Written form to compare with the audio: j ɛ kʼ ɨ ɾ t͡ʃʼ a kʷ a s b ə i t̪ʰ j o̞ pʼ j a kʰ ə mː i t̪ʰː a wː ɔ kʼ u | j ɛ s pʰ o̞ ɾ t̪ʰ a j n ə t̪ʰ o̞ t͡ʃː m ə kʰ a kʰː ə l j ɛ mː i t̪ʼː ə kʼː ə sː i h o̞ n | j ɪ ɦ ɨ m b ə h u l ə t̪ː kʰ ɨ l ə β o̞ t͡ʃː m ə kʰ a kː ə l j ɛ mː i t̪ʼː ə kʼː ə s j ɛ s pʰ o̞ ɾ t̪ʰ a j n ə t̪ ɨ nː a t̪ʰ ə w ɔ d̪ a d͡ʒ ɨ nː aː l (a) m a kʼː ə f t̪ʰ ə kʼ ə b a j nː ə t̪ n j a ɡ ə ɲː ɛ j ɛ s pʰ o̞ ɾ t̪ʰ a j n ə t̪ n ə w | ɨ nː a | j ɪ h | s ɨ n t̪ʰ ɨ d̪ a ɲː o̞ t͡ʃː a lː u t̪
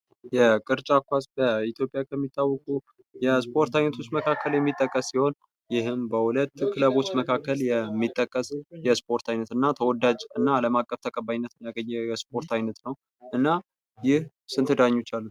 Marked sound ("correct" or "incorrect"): incorrect